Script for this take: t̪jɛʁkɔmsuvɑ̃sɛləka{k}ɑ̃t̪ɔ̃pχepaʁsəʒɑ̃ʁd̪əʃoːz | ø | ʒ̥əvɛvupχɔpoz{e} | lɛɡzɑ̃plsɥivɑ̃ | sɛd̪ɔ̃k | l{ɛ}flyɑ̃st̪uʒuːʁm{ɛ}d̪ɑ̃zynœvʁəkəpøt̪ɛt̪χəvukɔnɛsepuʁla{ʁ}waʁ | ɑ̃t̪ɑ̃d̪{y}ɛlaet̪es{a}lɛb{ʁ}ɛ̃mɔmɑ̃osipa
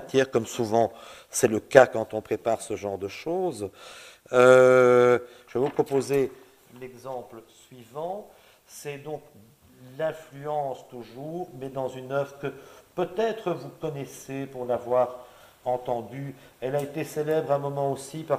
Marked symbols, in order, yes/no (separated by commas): yes, yes, no, yes, no, yes, no, yes